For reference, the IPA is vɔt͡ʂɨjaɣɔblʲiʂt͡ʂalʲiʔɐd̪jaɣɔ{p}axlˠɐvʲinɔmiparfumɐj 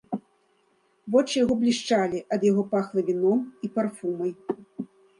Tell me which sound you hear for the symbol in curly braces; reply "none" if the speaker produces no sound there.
p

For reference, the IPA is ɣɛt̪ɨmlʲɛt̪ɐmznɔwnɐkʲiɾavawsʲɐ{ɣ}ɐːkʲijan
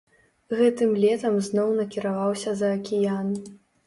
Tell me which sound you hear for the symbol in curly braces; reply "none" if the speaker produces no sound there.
z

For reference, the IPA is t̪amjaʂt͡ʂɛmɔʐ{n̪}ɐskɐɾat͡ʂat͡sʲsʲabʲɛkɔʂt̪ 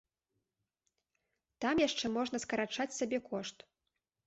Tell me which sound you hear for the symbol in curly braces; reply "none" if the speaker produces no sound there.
n̪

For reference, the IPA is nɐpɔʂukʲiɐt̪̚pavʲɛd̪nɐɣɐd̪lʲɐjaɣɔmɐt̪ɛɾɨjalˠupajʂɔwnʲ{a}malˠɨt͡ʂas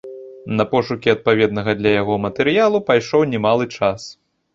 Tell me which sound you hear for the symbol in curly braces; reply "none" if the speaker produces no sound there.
ɛ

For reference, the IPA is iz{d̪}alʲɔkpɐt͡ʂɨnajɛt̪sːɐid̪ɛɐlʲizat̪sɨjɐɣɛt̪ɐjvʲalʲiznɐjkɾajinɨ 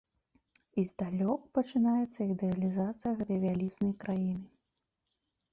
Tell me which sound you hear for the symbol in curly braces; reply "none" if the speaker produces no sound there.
d̪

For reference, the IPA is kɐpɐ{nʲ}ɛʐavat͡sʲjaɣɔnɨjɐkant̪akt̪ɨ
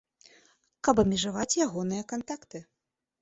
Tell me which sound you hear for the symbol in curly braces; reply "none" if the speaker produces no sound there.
mʲ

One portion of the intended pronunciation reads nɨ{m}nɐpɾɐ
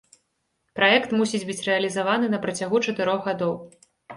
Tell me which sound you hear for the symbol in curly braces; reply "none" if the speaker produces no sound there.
none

